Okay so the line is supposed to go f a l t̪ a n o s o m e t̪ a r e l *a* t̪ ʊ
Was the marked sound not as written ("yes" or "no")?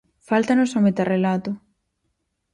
no